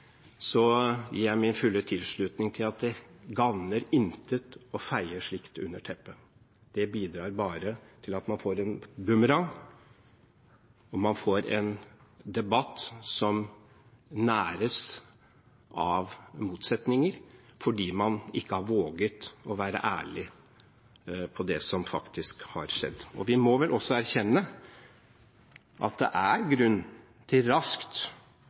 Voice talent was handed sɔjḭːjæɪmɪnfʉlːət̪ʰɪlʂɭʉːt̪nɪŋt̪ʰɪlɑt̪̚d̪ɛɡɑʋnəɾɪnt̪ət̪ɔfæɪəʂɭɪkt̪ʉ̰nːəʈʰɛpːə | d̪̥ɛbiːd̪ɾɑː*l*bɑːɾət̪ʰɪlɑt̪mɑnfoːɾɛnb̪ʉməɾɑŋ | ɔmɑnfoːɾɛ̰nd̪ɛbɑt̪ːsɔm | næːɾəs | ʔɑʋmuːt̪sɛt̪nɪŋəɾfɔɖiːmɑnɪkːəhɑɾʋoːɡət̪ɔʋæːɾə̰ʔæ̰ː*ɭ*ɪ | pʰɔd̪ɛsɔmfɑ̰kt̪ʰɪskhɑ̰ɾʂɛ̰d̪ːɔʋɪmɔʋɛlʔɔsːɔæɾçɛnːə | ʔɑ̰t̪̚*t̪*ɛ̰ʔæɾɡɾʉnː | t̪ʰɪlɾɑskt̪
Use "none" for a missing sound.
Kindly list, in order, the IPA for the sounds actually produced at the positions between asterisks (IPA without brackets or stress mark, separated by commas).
ɾ, ɭ, d̪